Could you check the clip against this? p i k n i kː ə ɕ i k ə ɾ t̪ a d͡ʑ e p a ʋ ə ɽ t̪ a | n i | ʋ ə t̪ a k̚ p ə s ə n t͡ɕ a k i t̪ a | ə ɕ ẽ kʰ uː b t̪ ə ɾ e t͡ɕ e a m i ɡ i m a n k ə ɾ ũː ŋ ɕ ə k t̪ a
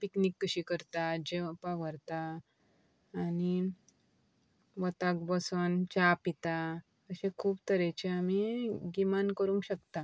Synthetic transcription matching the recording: p i k n i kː ə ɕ i k ə ɾ t̪ a d͡ʑ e p a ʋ ə ɾ t̪ a | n i | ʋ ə t̪ a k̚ b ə s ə n t͡ɕ a p i t̪ a | ə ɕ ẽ kʰ uː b t̪ ə ɾ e t͡ɕ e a m i ɡ i m a n k ə ɾ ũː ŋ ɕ ə k t̪ a